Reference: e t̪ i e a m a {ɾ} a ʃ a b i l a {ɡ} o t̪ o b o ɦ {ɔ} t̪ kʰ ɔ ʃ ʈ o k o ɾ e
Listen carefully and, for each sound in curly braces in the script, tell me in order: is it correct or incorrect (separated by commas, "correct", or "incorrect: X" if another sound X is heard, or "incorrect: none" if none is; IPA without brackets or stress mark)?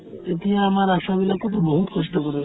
correct, incorrect: k, incorrect: u